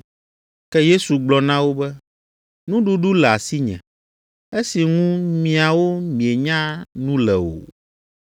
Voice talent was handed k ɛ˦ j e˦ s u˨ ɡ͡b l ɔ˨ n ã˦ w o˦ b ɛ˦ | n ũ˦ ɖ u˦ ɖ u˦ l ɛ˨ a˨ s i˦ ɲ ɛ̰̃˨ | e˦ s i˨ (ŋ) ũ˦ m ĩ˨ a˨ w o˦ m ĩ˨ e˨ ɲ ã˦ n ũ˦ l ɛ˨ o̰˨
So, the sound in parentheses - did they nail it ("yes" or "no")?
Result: yes